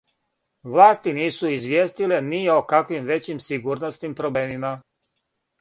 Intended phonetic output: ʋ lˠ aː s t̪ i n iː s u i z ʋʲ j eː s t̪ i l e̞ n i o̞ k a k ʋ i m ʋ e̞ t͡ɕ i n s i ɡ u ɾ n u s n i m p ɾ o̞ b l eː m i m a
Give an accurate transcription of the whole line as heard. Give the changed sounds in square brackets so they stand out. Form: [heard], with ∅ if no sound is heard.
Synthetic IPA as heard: ʋ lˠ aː s t̪ i n iː s u i z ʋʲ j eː s t̪ i l e̞ n i o̞ k a k ʋ i m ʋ e̞ t͡ɕ i [m] s i ɡ u ɾ n [o] s n i m p ɾ o̞ b l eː m i m a